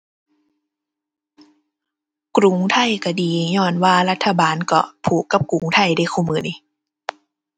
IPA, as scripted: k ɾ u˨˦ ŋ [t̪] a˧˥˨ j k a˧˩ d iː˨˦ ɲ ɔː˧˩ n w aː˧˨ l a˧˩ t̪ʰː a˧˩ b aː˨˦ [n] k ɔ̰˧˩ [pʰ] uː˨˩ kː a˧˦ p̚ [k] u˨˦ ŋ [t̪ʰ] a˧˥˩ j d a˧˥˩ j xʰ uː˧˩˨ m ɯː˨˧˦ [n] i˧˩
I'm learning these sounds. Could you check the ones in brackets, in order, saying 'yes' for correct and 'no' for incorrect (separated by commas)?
no, yes, yes, yes, yes, yes